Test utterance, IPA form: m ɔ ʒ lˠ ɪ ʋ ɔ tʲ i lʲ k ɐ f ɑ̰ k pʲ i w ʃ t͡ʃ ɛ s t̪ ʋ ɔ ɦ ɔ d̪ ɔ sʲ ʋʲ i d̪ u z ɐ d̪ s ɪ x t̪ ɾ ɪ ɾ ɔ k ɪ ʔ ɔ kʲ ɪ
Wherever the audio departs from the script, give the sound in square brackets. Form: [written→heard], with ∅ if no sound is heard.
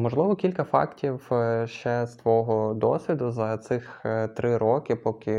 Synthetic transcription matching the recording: m ɔ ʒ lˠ ɪ ʋ ɔ [tʲ→kʲ] i lʲ k ɐ f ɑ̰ k [pʲ→tʲ] i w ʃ t͡ʃ ɛ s t̪ ʋ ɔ ɦ ɔ d̪ ɔ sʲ ʋʲ i d̪ [u→ʊ] z ɐ [d̪→t̪] s ɪ x t̪ ɾ ɪ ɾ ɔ k ɪ [ʔ→p] ɔ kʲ ɪ